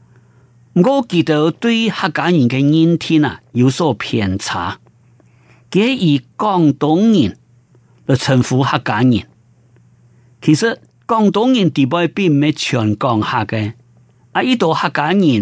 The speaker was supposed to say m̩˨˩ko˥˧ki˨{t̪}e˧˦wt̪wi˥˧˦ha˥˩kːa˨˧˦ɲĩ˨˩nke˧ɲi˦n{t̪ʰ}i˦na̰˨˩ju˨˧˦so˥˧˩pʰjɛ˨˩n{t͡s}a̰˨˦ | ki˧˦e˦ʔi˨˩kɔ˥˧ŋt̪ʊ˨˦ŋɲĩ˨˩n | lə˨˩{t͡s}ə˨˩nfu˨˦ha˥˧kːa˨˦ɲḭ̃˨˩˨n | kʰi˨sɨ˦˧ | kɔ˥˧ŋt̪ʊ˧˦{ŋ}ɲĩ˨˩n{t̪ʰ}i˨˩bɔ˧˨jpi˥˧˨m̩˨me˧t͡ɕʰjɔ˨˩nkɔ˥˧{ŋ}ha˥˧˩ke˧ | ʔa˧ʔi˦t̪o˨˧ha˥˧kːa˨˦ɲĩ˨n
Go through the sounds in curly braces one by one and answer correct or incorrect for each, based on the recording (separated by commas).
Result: correct, correct, incorrect, incorrect, correct, incorrect, correct